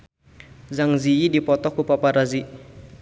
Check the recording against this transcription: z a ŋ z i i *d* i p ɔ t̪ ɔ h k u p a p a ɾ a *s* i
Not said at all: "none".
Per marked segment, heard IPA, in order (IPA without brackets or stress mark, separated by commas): d, z